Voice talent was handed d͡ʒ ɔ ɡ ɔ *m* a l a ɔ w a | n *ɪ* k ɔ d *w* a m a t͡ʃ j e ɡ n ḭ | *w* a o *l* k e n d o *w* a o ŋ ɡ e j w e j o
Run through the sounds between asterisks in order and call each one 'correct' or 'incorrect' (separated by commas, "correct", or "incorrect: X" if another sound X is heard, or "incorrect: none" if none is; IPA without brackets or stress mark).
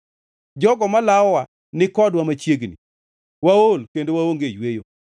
correct, correct, correct, correct, correct, correct